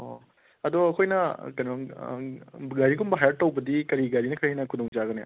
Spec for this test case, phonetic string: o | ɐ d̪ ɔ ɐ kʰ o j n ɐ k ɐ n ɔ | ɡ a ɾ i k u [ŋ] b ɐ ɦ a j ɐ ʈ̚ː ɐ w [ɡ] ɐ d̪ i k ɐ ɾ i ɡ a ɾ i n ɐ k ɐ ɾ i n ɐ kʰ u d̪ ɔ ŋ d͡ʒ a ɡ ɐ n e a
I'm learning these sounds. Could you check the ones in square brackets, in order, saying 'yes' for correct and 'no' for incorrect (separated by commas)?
no, no